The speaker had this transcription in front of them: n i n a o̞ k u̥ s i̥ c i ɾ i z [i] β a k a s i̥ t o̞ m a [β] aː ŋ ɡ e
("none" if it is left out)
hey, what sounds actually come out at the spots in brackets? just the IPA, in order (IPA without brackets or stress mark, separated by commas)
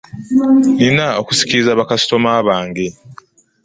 a, β